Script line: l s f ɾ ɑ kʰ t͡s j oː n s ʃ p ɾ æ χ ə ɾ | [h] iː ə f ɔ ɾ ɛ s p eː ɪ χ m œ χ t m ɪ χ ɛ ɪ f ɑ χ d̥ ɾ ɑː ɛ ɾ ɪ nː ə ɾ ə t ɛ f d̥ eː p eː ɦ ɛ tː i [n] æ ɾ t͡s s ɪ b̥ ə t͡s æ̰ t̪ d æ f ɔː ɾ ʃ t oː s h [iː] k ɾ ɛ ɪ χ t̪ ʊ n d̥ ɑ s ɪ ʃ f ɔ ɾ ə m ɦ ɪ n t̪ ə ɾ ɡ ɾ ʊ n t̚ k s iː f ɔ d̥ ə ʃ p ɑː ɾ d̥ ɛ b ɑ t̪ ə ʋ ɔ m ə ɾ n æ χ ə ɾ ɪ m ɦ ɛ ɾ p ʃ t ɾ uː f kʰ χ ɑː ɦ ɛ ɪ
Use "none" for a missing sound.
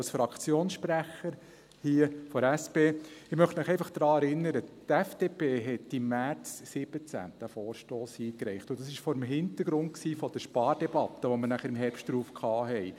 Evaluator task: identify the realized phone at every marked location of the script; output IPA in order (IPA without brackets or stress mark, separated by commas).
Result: h, m, iː